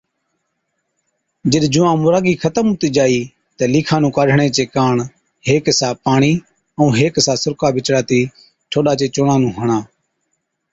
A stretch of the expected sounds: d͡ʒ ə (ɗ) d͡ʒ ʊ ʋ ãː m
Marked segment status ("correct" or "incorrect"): correct